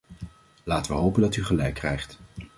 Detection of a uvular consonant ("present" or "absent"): present